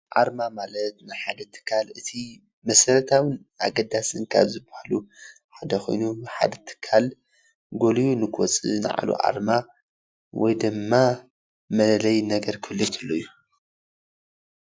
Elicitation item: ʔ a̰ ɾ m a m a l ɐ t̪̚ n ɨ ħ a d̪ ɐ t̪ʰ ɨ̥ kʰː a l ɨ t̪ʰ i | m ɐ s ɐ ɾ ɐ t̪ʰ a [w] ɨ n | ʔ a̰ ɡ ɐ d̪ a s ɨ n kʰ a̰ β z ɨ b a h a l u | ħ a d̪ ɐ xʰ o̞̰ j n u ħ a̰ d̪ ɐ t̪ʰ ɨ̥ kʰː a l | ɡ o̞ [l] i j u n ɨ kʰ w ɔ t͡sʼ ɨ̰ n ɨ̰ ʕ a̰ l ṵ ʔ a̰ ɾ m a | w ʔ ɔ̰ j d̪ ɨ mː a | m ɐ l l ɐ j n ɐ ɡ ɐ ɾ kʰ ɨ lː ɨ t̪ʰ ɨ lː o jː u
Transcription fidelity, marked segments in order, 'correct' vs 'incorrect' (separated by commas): correct, correct